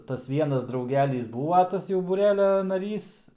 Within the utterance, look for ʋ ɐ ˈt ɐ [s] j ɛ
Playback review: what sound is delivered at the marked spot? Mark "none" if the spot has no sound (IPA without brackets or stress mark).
s